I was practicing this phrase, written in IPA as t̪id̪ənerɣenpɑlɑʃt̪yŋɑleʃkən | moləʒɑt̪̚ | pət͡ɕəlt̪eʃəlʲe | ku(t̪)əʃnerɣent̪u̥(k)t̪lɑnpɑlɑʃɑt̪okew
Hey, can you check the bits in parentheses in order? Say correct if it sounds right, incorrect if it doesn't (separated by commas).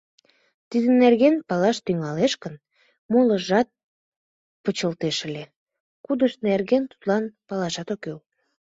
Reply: incorrect, incorrect